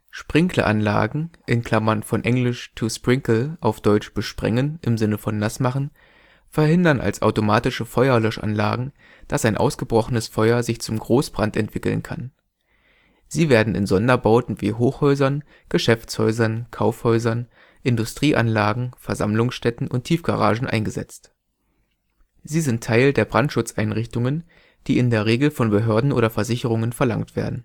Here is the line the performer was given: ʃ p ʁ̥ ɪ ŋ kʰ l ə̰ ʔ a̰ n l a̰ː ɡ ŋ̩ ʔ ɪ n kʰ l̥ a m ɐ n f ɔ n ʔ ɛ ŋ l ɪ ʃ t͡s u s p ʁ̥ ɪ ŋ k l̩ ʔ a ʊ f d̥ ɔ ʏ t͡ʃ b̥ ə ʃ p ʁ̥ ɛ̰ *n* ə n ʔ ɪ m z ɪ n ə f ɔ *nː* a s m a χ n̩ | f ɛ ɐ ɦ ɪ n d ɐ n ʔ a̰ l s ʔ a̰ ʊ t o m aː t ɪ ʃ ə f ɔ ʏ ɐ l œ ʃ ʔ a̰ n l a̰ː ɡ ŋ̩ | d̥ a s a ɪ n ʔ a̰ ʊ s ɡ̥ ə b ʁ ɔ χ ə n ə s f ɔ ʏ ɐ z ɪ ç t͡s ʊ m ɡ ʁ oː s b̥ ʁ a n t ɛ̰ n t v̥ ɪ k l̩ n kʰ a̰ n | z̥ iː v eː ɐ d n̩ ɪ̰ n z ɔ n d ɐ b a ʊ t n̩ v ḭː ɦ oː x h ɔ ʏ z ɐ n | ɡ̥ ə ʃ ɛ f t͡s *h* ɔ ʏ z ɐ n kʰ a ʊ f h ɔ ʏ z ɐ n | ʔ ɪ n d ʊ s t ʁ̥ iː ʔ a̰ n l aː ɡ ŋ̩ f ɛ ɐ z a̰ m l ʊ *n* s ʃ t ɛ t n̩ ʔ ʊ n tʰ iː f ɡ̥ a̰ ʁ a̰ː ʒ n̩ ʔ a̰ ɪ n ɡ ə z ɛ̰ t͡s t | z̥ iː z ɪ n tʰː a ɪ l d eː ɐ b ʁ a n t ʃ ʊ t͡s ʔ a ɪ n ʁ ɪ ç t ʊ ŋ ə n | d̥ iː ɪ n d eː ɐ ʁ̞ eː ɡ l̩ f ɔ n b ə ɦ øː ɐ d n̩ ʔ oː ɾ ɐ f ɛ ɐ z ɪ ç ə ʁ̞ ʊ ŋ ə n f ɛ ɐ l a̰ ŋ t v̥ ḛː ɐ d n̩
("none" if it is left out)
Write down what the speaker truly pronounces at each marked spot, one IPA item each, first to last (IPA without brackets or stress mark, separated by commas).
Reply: ŋ, nː, h, ŋ